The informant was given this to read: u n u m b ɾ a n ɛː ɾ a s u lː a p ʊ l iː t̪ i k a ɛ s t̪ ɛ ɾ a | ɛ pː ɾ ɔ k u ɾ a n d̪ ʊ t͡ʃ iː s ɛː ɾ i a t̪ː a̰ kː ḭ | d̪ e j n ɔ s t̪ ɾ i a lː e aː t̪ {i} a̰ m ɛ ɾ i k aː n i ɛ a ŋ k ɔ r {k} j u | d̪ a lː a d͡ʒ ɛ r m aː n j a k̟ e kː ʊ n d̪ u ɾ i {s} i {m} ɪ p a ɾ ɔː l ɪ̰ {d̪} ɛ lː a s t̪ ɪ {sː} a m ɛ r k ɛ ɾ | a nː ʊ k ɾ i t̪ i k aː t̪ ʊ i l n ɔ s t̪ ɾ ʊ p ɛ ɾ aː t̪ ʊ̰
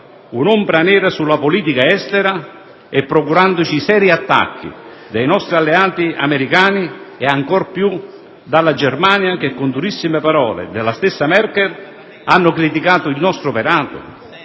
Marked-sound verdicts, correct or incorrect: correct, incorrect, incorrect, correct, correct, correct

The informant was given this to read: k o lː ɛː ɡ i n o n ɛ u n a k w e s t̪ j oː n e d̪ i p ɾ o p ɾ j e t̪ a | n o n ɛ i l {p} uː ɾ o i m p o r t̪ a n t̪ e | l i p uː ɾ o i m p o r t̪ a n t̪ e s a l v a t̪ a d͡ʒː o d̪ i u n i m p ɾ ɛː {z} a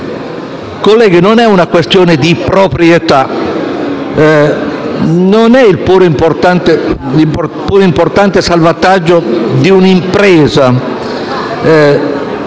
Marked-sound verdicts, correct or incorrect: correct, correct

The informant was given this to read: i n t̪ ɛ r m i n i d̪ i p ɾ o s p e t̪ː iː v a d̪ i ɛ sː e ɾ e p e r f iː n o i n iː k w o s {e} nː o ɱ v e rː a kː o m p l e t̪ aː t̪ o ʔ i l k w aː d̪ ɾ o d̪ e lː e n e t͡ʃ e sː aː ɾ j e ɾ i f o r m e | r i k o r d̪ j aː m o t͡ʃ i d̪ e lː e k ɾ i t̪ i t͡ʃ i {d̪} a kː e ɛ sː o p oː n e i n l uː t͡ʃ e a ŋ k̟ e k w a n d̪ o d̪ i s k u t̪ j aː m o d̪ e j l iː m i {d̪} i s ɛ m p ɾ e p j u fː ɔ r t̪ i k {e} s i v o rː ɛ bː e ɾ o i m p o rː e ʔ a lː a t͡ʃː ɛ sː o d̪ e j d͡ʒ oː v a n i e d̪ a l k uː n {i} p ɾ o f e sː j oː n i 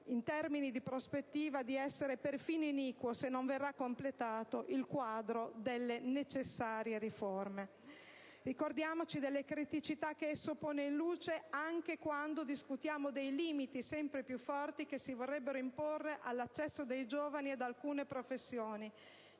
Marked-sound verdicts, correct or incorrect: correct, incorrect, incorrect, correct, incorrect

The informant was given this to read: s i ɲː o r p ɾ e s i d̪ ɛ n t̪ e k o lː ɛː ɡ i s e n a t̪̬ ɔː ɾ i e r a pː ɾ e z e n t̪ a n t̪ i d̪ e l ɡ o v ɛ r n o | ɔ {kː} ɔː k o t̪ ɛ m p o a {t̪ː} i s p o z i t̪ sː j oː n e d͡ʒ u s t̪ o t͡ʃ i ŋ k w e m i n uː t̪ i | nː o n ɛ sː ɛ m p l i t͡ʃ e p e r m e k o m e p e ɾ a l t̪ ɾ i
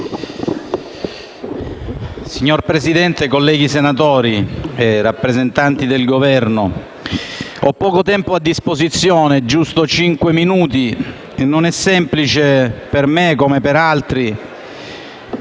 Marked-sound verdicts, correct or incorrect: incorrect, incorrect

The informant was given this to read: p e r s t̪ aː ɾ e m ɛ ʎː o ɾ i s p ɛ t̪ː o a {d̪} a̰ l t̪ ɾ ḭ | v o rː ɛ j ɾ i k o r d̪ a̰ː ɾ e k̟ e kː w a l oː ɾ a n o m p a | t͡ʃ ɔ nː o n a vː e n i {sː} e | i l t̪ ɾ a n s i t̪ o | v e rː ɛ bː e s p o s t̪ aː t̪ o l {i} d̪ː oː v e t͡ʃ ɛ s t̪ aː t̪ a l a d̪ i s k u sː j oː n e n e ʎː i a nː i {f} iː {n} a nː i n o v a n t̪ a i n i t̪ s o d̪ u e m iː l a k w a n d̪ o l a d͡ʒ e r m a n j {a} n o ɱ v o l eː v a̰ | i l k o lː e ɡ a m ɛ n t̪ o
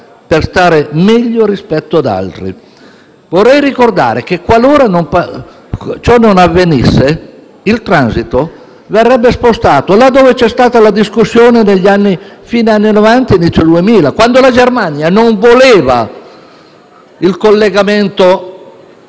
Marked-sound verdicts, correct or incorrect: correct, correct, incorrect, correct, correct, correct

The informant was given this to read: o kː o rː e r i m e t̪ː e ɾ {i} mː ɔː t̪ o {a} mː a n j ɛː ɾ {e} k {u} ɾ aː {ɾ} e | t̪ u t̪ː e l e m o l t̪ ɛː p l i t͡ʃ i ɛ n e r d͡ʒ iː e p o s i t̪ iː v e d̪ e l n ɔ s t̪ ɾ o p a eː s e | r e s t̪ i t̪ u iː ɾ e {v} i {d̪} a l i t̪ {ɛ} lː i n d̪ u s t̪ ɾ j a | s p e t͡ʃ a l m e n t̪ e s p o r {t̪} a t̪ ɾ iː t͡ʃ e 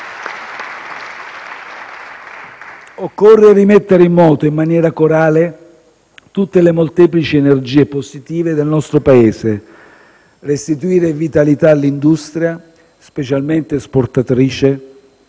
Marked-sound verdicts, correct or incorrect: correct, incorrect, incorrect, incorrect, incorrect, correct, incorrect, incorrect, correct

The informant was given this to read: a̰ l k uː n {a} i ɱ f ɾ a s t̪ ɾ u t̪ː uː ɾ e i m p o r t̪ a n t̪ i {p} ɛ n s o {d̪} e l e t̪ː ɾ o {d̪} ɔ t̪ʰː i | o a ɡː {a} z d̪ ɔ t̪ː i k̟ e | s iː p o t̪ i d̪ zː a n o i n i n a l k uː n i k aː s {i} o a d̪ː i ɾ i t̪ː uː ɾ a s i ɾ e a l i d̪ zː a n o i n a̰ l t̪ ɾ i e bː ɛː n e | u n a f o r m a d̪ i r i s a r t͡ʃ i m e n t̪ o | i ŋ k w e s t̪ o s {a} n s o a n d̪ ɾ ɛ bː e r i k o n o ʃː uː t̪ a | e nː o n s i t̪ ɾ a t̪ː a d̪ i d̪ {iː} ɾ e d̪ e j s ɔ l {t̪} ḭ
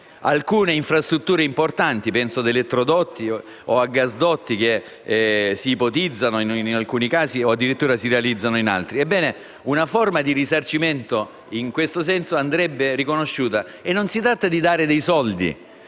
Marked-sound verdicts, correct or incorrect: incorrect, correct, correct, correct, correct, correct, incorrect, incorrect, incorrect

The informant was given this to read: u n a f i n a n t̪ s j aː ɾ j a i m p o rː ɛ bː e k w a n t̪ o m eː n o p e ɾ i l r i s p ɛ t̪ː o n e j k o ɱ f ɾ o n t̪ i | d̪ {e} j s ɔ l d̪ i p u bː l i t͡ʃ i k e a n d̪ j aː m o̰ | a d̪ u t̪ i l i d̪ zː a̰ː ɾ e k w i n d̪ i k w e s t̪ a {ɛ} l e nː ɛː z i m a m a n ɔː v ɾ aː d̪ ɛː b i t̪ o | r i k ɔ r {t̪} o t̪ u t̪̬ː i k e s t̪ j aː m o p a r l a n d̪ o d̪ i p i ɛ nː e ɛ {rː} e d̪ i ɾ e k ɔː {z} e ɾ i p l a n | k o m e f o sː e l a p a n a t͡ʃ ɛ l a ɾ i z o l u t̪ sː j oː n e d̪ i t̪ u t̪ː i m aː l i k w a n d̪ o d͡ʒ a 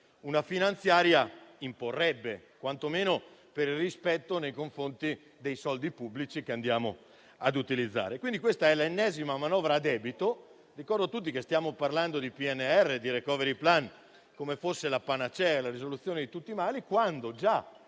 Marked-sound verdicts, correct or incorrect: correct, correct, incorrect, correct, incorrect

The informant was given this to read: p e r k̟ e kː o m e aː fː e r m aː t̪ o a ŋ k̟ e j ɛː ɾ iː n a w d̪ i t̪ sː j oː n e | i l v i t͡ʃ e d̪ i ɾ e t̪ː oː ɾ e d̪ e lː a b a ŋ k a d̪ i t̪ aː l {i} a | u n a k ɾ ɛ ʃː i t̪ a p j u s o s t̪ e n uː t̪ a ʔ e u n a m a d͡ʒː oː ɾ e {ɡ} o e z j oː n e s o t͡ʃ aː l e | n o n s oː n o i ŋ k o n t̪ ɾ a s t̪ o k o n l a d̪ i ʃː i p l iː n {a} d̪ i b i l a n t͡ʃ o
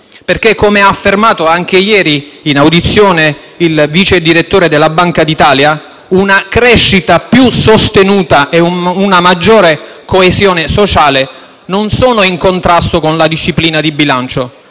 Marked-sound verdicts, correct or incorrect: incorrect, incorrect, correct

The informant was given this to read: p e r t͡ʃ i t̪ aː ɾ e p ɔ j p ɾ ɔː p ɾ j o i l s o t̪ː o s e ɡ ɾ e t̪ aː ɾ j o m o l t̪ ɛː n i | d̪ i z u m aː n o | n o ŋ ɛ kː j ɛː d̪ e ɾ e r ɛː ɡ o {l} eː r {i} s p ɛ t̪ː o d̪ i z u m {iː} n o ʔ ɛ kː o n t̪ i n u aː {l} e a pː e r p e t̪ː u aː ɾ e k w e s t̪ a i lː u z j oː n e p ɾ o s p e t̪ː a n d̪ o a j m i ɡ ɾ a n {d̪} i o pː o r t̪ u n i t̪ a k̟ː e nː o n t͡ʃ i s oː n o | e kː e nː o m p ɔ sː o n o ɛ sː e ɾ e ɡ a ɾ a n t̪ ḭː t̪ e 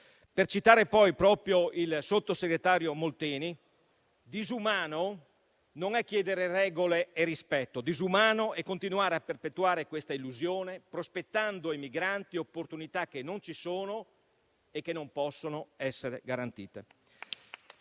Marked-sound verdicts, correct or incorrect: correct, correct, incorrect, incorrect, incorrect

